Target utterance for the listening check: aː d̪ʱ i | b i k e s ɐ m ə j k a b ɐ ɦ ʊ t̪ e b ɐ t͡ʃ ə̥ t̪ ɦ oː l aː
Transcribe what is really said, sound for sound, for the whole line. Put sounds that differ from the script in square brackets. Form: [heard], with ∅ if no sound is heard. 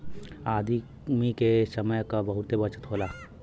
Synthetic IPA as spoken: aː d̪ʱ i | [m] i k e s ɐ m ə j k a b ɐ ɦ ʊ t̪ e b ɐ t͡ʃ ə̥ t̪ ɦ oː l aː